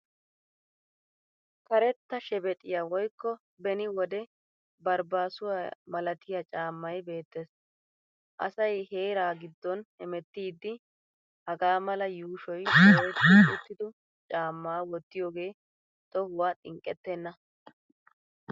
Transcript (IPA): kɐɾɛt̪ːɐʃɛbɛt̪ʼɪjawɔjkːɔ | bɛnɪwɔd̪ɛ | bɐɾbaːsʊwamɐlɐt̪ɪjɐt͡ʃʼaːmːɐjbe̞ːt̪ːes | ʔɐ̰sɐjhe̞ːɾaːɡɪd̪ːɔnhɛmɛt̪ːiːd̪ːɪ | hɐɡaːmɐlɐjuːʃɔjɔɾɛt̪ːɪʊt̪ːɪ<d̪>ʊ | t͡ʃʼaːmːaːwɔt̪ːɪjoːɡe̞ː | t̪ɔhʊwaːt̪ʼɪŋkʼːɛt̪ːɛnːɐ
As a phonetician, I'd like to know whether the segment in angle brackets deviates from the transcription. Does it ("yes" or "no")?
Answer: no